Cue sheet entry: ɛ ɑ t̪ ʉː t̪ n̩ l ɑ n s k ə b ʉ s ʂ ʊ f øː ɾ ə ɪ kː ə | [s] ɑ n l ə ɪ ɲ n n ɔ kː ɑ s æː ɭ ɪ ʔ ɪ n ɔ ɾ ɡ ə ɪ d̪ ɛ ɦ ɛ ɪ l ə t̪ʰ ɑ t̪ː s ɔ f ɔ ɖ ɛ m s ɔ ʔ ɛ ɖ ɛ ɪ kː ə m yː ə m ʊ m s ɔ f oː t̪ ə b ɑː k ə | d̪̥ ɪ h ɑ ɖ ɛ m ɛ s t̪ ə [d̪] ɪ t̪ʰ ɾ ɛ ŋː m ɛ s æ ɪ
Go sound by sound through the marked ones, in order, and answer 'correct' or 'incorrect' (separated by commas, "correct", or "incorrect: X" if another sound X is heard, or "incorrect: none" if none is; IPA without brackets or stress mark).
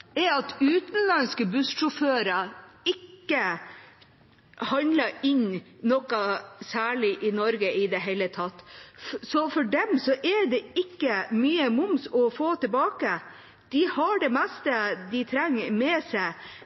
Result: incorrect: h, correct